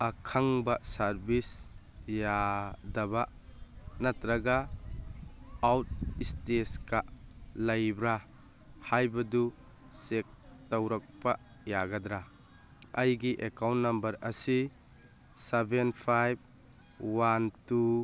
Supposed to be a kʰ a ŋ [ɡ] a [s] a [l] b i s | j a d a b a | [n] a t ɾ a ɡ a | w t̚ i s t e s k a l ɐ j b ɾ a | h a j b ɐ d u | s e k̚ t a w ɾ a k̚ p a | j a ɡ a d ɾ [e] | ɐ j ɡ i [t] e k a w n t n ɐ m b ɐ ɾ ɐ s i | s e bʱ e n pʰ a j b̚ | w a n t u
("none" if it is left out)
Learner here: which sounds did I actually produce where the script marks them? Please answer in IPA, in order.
b, s, ɾ, n, a, ʔ

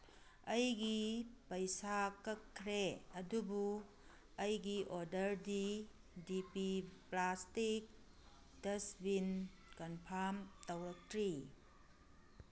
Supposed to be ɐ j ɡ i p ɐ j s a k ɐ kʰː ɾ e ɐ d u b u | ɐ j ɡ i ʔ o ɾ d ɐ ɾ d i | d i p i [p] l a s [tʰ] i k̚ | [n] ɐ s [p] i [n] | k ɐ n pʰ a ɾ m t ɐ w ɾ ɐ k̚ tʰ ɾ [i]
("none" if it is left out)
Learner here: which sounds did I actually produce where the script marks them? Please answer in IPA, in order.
p, t, d, b, n, i

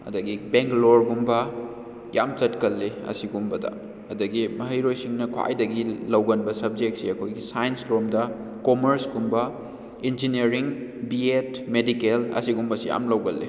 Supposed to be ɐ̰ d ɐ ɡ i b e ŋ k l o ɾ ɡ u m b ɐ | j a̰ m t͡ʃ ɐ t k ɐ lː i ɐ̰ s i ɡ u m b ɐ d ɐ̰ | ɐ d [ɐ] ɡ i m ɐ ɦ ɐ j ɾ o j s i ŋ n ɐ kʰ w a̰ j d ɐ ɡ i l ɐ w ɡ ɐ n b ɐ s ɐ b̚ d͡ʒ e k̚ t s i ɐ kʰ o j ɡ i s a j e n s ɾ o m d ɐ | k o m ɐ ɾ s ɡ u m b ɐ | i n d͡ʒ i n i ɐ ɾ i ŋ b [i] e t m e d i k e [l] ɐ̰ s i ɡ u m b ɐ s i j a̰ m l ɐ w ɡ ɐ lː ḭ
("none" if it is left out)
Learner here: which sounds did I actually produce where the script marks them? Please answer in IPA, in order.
ɐ, i, l

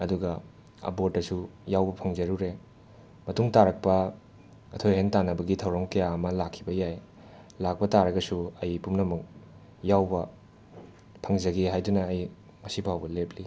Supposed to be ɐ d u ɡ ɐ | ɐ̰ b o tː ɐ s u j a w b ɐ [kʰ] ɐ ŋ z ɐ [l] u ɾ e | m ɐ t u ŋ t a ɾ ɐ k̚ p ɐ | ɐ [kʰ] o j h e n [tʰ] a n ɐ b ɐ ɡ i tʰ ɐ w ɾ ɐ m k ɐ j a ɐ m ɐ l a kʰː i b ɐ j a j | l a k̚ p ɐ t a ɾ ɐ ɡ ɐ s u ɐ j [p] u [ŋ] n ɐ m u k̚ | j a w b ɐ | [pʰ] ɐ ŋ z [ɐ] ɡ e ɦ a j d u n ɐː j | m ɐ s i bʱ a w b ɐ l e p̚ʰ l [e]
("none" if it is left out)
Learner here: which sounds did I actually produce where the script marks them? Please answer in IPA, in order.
pʰ, ɾ, tʰ, t, p, m, pʰ, ɐ, i

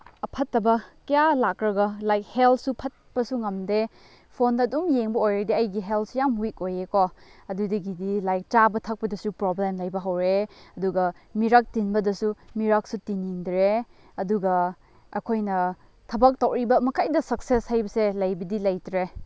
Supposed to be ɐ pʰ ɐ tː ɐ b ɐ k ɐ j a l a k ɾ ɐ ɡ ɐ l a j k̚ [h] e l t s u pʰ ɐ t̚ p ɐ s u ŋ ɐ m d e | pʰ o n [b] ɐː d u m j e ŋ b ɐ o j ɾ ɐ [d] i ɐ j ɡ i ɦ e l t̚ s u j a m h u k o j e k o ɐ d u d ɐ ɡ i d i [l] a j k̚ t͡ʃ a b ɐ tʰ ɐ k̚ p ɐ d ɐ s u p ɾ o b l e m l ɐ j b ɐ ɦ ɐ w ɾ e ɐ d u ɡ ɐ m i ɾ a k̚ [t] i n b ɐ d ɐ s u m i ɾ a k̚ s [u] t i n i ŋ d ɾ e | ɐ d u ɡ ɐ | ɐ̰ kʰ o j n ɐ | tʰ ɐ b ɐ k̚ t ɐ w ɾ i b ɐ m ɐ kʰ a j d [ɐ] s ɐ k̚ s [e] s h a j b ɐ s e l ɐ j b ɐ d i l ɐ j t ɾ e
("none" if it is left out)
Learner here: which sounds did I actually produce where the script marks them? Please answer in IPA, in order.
h, d, d, l, t, u, ɐ, e

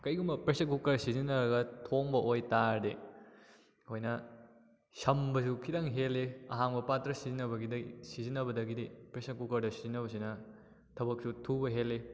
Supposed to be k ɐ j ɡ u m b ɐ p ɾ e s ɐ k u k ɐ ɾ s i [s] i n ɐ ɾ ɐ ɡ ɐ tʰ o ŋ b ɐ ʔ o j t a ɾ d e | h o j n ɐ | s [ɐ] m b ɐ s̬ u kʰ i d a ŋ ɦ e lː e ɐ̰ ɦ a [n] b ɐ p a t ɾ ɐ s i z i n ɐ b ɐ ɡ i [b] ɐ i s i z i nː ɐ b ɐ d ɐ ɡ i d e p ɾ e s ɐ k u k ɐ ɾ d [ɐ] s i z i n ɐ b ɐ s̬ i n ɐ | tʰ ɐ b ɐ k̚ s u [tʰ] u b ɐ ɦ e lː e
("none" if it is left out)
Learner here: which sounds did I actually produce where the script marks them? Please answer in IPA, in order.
z, ɐ, ŋ, d, ɐ, tʰ

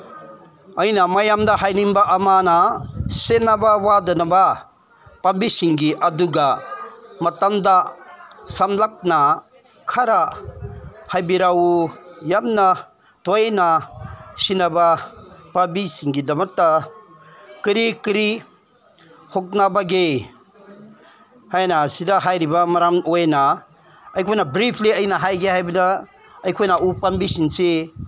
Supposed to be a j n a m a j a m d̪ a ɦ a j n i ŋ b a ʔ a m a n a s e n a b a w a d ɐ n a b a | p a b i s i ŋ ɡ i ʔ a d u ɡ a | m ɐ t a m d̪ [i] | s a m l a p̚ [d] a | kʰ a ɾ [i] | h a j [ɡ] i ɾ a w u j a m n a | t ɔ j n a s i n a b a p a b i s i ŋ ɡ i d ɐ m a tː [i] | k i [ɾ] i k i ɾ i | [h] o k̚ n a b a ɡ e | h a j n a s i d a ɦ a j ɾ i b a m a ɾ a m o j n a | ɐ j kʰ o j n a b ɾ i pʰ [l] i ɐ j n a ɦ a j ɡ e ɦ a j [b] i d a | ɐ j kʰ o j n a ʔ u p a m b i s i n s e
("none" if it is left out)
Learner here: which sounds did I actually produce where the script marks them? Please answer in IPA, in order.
a, n, a, b, a, ɾ, h, l, b

